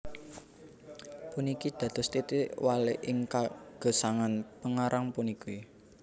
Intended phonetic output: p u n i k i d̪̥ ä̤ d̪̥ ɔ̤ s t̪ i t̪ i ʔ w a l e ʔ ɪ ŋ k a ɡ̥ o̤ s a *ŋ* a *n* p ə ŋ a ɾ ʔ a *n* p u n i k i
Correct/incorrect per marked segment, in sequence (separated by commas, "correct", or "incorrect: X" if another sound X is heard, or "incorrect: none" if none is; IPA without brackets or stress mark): correct, correct, incorrect: ŋ